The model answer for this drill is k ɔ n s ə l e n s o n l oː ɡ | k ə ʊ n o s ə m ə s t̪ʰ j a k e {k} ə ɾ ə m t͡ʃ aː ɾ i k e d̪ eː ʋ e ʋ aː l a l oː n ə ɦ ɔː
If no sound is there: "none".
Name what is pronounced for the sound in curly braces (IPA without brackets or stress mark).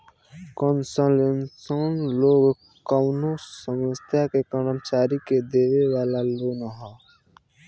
k